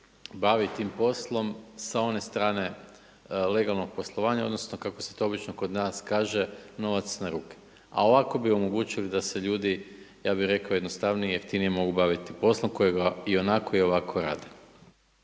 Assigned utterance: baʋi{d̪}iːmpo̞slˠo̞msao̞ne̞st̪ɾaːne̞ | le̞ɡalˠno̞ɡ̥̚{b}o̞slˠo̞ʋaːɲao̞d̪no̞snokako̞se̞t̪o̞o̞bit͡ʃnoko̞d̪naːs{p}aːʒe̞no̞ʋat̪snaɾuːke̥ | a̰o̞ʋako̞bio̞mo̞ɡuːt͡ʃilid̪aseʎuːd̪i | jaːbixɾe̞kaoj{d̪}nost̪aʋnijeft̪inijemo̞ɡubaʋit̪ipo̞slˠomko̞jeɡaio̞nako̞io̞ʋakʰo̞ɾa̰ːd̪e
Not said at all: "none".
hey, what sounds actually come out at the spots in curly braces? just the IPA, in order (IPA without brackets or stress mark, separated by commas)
t̪, p, k, d̪